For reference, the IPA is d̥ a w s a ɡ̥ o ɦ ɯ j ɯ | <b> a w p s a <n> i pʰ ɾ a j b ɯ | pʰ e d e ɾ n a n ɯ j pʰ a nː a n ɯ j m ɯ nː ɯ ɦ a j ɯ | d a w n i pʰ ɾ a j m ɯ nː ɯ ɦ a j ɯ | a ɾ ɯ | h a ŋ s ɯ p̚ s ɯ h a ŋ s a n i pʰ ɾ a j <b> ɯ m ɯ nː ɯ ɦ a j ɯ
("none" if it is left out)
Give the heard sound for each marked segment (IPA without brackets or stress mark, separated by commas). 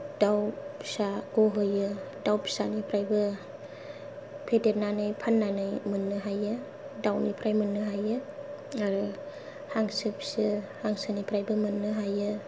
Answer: d, n, b